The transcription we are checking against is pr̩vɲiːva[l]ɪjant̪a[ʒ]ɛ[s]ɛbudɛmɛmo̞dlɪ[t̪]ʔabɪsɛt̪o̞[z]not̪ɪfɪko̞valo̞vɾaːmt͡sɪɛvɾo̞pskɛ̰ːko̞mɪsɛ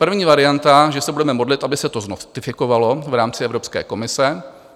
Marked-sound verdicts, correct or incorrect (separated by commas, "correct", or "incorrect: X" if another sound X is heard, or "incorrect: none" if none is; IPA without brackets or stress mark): incorrect: ɾ, correct, correct, correct, correct